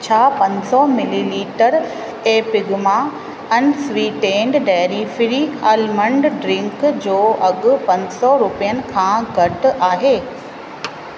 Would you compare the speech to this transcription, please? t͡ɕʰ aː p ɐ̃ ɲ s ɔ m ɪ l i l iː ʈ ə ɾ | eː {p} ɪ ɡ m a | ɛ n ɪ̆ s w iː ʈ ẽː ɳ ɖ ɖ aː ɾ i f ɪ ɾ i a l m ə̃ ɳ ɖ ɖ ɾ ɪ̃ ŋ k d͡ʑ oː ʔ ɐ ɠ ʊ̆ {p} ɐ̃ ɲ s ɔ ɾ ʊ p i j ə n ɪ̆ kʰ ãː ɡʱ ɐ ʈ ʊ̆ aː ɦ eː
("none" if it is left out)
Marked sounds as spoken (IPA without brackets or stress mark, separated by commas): p, p